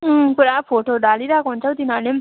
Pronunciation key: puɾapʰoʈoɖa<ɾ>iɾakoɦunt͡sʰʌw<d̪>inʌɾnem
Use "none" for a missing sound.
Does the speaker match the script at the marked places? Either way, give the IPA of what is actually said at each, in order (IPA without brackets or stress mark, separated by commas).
l, t̪